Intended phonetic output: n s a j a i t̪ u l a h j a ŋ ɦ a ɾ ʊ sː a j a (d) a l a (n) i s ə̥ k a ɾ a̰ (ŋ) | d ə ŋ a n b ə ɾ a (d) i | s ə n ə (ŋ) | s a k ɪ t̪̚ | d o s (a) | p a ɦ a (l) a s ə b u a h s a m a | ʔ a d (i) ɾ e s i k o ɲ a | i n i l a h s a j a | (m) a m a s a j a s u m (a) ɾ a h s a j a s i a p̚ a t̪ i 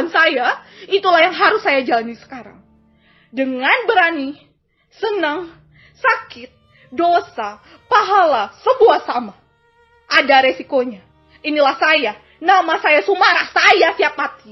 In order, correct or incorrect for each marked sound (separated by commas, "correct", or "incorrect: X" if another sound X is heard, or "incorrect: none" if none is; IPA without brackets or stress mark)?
incorrect: d͡ʒ, correct, correct, incorrect: n, correct, correct, correct, incorrect: a, incorrect: n, correct